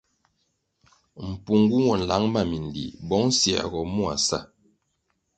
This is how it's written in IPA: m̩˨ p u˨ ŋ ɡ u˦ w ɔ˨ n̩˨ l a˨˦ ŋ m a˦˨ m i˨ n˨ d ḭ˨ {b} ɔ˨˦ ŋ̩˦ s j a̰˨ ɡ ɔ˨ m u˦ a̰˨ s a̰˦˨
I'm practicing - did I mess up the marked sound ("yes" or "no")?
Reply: no